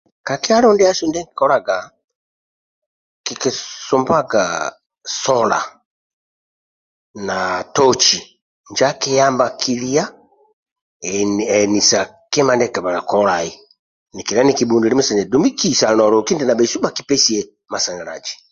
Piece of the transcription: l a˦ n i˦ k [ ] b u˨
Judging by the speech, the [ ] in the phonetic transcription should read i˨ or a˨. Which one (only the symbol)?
i˨